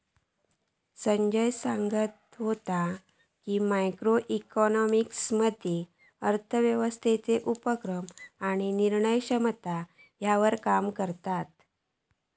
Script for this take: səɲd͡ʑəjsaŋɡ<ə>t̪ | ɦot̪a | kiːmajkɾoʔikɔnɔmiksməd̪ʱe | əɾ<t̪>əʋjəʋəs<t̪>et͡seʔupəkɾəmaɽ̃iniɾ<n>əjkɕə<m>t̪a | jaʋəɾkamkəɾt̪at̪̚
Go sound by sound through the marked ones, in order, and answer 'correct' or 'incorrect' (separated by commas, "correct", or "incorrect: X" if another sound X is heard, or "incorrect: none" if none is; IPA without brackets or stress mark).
correct, incorrect: t̪ʰ, incorrect: t̪ʰ, incorrect: ɳ, correct